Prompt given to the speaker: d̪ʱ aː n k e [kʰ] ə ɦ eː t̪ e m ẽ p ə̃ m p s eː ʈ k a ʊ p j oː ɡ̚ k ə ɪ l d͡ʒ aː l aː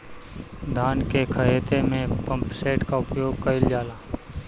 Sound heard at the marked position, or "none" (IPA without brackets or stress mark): kʰ